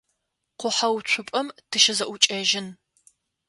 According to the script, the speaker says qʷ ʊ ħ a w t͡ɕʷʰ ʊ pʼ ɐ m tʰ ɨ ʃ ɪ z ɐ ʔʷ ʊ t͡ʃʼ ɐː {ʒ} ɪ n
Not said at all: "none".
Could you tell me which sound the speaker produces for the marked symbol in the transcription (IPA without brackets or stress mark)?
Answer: ʒ